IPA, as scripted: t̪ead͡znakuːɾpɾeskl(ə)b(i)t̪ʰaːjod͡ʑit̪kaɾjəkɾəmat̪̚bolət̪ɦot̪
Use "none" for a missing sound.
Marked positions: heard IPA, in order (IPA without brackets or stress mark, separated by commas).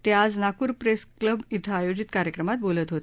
ə, i